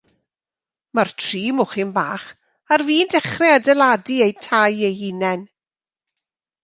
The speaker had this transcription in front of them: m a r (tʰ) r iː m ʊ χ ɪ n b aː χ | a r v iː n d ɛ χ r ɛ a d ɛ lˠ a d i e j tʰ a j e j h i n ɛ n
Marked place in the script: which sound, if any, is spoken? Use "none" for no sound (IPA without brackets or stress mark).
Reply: tʰ